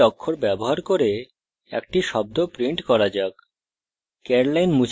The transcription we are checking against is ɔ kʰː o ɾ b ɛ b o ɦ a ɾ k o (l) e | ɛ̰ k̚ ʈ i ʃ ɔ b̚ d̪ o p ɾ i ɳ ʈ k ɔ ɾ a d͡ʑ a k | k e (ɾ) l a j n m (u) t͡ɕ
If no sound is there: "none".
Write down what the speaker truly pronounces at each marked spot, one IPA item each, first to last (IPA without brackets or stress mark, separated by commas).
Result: ɾ, ɾ, u